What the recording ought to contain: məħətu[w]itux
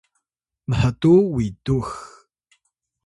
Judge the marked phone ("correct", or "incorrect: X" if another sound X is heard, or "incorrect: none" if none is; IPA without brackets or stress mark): correct